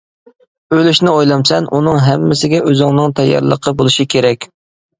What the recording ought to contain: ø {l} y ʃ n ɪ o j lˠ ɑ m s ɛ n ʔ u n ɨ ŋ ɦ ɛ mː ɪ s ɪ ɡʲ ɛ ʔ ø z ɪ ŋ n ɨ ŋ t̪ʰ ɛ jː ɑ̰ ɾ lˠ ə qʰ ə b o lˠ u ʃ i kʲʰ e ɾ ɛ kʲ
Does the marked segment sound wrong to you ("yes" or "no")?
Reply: no